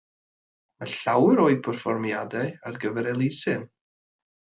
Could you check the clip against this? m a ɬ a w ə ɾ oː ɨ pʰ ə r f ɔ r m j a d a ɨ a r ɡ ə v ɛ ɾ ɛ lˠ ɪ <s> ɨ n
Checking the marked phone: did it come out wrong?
no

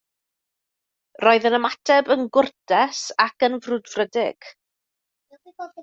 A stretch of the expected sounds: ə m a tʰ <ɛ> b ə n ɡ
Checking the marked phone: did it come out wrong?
no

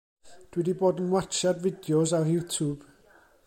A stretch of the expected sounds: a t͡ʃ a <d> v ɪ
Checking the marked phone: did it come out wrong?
no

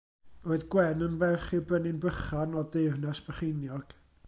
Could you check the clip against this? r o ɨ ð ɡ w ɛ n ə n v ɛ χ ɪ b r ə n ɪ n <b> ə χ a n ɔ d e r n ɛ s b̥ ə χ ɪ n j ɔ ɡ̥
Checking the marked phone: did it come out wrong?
no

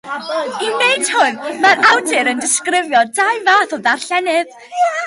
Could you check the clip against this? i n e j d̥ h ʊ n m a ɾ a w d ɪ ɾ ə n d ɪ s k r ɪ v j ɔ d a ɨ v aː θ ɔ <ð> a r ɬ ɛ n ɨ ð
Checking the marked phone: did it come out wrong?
no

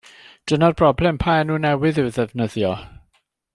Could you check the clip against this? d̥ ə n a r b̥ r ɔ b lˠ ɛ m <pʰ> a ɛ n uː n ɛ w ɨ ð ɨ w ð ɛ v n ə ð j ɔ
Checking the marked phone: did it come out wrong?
no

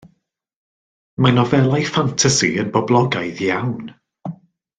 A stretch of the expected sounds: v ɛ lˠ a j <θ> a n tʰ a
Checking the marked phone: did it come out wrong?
yes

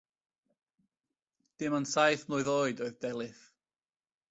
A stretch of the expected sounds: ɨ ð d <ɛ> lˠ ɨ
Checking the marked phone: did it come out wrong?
no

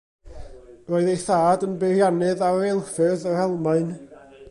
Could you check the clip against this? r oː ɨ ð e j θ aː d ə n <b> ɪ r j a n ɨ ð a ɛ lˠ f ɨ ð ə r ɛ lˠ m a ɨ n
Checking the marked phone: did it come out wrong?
no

